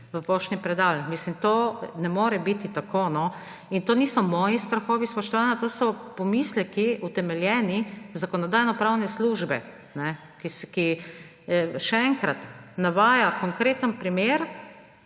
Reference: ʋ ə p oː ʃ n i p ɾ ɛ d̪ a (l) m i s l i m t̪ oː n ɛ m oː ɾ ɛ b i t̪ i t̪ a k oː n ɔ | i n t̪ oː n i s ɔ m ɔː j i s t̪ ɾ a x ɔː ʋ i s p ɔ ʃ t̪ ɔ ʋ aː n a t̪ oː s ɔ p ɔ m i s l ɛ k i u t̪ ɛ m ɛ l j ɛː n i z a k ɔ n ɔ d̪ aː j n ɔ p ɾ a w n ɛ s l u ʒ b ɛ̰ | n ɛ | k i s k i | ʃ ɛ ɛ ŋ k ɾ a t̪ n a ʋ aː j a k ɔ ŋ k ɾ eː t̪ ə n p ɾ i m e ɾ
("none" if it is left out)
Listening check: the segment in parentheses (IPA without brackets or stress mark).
l